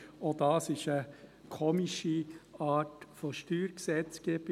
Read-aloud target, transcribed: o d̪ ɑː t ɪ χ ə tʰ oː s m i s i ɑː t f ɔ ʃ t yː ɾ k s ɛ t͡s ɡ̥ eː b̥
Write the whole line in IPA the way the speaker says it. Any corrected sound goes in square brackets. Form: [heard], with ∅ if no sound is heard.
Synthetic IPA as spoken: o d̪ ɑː [s] ɪ [ʃ] ə [kʰ] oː [∅] m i [ʃ] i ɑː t f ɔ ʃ t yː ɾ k s ɛ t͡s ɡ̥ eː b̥